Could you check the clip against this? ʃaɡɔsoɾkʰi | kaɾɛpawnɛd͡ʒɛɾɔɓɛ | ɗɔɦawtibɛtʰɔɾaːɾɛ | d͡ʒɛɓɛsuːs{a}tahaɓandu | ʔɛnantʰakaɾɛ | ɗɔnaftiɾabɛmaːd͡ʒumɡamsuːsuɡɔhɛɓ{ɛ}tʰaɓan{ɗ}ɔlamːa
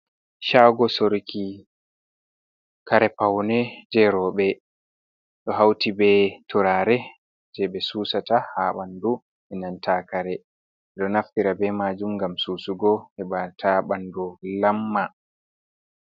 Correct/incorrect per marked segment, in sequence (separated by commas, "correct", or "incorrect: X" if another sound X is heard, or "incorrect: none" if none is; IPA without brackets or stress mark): correct, incorrect: a, incorrect: d